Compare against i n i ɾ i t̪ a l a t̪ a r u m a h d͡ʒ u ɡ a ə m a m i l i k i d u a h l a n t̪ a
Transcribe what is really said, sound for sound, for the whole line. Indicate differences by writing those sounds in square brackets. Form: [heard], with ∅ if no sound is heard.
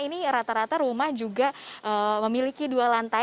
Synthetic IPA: i n i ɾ [a] t̪ a [ɾ] a t̪ a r u m a h d͡ʒ u ɡ a ə m [ə] m i l i k i d u a [∅] l a n t̪ a